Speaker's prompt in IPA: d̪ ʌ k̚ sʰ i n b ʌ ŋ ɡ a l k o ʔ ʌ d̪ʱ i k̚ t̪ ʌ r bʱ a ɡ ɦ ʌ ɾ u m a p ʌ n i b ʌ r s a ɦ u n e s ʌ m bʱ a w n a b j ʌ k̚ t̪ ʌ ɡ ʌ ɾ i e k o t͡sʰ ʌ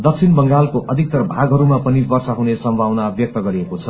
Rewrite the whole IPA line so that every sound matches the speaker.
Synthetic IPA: d̪ ʌ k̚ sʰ i n b ʌ ŋ ɡ a l k o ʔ ʌ d̪ʱ i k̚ t̪ ʌ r bʱ a ɡ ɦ ʌ ɾ u m a p ʌ n i b ʌ r s a ɦ u n e s ʌ m bʱ a w n a b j ʌ k̚ t̪ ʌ ɡ ʌ ɾ i e k o t͡sʰ ʌ